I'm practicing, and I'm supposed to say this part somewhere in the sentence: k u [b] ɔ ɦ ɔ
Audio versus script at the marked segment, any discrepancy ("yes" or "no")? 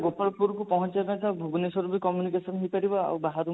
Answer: yes